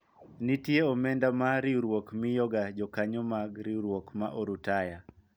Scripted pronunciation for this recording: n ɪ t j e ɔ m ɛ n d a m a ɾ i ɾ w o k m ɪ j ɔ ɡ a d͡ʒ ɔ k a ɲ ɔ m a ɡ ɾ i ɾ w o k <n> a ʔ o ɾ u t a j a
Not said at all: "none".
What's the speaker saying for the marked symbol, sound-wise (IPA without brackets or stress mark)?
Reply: m